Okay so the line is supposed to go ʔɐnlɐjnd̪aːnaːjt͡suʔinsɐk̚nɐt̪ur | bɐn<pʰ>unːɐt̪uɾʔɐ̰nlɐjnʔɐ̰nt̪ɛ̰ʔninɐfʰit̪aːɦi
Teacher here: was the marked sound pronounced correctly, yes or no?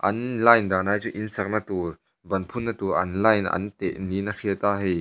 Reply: yes